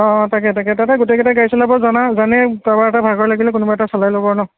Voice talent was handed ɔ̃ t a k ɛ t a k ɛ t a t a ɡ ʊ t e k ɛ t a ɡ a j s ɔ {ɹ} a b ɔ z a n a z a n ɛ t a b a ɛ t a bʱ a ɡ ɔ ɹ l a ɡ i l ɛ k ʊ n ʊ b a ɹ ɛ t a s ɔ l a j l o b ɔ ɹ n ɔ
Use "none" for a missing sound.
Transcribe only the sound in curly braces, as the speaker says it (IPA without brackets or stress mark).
l